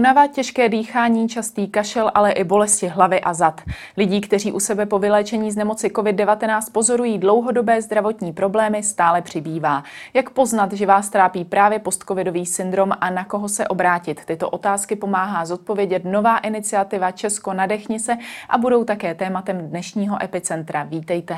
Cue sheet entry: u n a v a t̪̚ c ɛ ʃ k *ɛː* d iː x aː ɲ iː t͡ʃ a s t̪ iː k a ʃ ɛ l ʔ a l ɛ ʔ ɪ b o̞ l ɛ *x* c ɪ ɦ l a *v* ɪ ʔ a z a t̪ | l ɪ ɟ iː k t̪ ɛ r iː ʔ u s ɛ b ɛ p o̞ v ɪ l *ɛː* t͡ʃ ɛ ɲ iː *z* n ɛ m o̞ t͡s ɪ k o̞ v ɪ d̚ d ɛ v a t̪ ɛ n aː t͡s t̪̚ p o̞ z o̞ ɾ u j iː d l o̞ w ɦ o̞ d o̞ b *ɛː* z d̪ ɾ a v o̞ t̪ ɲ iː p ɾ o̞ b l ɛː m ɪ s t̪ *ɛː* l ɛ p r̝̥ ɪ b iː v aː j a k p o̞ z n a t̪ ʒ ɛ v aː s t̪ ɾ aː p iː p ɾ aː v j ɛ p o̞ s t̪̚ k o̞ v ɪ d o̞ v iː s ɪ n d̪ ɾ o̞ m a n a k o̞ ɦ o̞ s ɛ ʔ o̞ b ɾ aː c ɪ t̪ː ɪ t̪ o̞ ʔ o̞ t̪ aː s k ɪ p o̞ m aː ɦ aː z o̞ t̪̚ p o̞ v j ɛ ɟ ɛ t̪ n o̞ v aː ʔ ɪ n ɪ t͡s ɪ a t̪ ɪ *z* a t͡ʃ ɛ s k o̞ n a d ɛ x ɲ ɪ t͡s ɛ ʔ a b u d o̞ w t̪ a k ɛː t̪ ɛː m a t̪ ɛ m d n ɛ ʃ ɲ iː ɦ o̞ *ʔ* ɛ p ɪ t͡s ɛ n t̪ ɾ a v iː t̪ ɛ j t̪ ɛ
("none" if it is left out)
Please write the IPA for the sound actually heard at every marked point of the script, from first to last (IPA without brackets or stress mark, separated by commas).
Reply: ɛː, s, v, ɛː, z, ɛː, aː, v, ʔ